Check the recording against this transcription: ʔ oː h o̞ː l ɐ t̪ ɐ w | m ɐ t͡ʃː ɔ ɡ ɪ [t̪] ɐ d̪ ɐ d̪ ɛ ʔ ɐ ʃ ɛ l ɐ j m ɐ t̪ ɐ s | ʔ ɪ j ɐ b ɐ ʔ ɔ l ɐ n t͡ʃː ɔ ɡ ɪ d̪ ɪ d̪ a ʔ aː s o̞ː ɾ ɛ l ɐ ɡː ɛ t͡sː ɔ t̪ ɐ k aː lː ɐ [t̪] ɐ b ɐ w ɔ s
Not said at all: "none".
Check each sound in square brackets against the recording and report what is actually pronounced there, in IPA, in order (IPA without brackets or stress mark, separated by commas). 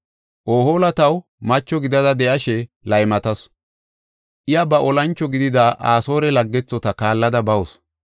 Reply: d̪, d̪